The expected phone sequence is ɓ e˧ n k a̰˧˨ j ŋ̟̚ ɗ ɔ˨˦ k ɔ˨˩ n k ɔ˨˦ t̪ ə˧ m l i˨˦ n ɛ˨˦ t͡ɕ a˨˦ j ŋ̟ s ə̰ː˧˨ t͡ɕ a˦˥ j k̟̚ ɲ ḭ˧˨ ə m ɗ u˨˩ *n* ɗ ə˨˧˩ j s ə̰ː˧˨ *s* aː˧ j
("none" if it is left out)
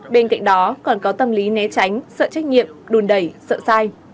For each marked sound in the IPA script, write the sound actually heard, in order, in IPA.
n, s

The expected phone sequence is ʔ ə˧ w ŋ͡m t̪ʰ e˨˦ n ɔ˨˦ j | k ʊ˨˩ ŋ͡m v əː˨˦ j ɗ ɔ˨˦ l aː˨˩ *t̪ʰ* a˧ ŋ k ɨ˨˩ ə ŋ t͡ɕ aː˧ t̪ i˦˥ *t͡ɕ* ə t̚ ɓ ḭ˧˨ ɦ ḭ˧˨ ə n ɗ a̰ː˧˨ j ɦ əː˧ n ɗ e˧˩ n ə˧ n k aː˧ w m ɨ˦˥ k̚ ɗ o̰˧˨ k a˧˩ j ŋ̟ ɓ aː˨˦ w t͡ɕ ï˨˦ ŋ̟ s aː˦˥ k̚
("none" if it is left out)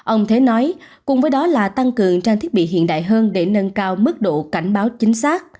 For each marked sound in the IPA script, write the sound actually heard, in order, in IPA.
t̪, none

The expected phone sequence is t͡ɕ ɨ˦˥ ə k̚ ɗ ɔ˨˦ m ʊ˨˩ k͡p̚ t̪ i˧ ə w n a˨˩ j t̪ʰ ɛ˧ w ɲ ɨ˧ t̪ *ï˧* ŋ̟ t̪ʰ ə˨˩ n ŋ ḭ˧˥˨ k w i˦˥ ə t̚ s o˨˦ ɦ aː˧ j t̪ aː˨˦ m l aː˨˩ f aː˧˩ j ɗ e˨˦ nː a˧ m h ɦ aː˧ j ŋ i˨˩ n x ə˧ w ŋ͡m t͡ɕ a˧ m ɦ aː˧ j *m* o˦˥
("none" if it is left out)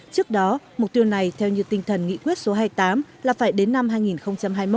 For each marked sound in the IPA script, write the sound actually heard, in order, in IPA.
ï˧, m

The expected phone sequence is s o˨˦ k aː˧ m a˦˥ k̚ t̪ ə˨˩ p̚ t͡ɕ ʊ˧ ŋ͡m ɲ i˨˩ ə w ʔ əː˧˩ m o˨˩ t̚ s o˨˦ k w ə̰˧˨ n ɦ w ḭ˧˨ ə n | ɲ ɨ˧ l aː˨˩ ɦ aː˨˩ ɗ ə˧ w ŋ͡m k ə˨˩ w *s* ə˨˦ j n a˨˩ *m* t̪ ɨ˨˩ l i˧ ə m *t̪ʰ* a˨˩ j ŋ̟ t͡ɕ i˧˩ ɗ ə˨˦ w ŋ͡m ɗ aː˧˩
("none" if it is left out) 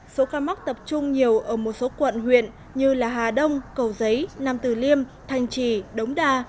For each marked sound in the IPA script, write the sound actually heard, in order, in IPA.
z, m, t̪ʰ

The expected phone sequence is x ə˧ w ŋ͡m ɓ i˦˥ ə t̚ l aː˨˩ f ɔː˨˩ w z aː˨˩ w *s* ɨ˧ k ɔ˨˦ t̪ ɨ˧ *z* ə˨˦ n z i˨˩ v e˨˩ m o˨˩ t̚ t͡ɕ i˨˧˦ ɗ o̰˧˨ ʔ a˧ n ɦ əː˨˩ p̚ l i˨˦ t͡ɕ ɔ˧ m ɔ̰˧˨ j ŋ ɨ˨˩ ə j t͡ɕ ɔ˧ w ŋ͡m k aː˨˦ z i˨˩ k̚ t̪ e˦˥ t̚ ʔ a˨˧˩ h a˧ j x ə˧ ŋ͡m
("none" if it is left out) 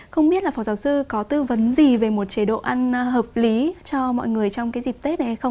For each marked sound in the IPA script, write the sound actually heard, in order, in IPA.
s, v

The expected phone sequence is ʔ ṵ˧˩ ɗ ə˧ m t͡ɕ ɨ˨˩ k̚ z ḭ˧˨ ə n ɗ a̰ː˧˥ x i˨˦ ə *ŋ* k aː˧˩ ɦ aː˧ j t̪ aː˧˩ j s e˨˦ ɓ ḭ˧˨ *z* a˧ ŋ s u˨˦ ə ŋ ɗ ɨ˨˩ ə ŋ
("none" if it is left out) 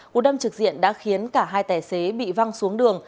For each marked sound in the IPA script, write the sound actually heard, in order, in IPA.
n, v

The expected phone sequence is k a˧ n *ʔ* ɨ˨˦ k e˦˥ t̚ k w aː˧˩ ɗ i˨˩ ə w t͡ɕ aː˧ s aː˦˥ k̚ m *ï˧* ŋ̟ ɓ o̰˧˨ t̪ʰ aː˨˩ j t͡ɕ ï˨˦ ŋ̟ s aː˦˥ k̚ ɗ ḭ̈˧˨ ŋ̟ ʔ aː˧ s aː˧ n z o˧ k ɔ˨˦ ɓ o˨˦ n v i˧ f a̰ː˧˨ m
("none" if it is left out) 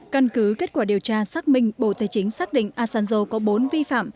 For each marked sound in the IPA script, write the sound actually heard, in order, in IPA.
k, ï˧

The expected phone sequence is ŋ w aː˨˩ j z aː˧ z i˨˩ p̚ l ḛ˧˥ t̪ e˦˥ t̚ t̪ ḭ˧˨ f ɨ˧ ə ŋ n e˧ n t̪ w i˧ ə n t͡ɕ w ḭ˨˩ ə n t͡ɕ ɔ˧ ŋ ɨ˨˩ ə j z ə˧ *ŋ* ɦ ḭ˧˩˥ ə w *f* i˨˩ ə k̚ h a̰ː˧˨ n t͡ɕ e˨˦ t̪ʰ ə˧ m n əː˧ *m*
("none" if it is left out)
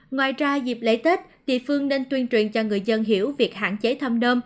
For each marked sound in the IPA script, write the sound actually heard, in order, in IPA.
n, v, m

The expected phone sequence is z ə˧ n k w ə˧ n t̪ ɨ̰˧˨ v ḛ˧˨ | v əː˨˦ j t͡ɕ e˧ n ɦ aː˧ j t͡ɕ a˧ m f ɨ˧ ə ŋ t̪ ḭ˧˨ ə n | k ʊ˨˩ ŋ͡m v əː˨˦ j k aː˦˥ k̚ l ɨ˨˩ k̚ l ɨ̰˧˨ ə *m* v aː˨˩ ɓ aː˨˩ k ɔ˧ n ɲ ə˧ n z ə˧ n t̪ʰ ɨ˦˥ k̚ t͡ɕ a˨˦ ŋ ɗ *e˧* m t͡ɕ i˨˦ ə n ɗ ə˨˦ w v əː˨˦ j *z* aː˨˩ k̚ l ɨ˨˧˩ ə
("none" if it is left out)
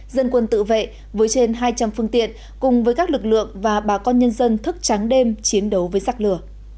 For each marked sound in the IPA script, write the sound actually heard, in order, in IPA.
ŋ, e˧, z

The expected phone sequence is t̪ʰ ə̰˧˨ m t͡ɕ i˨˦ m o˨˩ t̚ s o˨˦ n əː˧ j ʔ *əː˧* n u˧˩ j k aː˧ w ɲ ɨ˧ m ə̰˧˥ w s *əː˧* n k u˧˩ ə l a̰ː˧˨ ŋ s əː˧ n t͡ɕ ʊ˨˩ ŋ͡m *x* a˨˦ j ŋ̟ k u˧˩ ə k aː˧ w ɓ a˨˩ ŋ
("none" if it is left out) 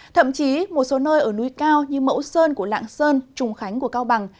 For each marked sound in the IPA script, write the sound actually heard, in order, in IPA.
əː˧˩, əː˧, x

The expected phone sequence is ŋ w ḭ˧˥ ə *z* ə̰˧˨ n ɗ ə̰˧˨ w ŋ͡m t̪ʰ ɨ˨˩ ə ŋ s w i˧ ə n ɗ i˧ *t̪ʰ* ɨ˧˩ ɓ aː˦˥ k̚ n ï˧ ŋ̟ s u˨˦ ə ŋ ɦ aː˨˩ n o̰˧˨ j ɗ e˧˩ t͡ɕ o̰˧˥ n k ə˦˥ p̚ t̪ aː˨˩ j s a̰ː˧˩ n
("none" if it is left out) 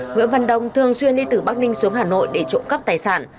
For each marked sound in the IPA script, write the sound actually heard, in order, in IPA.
v, t̪

